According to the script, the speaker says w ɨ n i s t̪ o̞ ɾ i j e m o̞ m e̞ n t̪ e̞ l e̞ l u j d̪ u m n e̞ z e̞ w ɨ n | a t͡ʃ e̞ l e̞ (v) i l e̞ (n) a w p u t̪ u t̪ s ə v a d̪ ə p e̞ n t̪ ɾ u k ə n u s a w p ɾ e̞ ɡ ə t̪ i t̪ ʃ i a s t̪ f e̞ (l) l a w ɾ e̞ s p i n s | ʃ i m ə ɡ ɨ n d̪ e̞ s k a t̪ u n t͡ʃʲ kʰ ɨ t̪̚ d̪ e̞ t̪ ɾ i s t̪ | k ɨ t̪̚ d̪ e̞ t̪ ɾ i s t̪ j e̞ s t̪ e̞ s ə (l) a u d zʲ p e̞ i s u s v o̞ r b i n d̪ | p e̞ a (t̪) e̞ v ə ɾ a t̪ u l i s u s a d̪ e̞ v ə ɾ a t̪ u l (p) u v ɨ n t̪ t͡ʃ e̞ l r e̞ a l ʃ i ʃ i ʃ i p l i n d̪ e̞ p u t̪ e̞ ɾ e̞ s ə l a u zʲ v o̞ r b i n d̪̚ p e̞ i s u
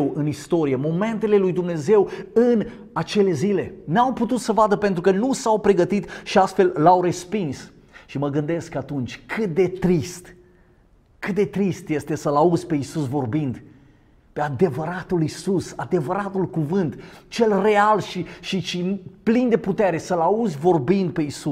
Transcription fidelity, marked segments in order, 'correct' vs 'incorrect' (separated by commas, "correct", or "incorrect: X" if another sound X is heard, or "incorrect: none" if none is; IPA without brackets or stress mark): incorrect: z, correct, correct, correct, incorrect: d̪, incorrect: k